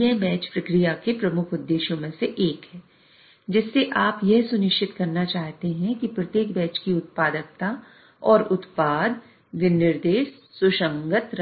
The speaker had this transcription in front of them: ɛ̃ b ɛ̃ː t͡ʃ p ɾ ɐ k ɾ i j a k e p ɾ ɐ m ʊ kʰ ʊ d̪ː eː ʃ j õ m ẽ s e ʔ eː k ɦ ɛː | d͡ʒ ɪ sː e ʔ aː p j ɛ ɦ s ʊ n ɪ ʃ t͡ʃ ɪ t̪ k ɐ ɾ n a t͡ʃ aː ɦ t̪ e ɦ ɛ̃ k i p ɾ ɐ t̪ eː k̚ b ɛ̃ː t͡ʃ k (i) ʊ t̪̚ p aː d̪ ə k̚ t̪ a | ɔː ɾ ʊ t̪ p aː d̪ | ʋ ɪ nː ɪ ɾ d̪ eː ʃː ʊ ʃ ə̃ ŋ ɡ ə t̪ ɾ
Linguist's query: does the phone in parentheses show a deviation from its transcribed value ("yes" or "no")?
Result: no